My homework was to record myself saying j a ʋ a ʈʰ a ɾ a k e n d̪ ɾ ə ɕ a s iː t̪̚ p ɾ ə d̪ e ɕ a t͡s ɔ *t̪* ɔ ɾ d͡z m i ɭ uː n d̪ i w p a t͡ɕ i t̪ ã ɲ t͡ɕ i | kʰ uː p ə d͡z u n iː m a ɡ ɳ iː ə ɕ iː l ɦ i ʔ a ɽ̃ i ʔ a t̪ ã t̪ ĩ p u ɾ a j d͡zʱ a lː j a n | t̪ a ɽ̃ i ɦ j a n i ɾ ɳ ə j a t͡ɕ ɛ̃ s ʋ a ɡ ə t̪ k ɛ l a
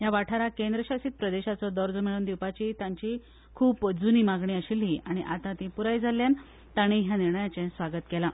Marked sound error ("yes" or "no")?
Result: yes